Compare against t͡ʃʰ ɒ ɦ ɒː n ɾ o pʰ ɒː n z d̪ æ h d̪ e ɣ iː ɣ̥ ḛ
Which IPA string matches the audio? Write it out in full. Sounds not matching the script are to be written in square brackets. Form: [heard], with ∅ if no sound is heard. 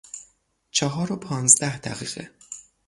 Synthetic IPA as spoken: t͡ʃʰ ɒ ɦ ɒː [∅] ɾ o pʰ ɒː n z d̪ æ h d̪ [æ] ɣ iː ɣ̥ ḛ